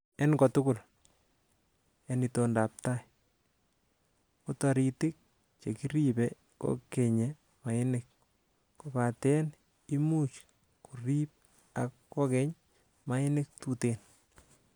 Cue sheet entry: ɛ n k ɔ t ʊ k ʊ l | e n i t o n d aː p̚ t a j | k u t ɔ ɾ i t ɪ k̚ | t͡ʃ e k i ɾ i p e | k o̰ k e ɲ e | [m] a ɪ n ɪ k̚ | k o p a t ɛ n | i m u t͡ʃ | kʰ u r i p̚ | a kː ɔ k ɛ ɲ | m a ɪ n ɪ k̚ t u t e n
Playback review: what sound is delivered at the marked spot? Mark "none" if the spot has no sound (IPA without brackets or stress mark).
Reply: m